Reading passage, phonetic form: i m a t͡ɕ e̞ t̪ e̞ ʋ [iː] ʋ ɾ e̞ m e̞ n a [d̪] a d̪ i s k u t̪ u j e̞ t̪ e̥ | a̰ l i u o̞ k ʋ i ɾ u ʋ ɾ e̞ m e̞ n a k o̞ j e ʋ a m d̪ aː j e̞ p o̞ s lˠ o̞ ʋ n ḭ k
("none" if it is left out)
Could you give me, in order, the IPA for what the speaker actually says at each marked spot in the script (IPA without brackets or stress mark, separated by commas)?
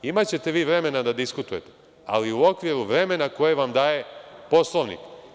iː, d̪